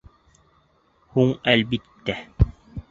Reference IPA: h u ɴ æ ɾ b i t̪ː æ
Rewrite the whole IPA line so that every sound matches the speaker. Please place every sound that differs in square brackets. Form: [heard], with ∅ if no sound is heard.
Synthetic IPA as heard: h u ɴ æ [l] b i t̪ː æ